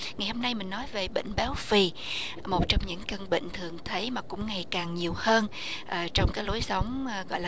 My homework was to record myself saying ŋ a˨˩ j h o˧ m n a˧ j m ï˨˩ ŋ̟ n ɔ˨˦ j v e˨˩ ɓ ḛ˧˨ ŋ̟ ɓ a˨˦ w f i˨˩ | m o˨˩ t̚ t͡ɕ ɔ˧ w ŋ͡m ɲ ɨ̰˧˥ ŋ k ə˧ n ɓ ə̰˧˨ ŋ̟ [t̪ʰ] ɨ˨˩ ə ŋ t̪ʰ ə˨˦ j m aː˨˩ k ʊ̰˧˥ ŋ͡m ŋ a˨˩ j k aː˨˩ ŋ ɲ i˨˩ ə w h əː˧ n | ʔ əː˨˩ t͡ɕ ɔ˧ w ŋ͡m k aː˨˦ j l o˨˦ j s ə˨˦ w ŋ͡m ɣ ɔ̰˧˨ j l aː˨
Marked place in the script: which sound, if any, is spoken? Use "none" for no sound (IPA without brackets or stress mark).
t̪ʰ